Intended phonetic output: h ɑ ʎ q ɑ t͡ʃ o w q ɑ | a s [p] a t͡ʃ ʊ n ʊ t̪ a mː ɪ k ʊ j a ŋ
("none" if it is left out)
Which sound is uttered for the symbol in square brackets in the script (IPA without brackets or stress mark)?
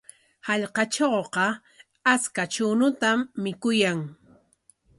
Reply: k